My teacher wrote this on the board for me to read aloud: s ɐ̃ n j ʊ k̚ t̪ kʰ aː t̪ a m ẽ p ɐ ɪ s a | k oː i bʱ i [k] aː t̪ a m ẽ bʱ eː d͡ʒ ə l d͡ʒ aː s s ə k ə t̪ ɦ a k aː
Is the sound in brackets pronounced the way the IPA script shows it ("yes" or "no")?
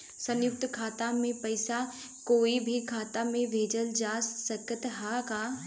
no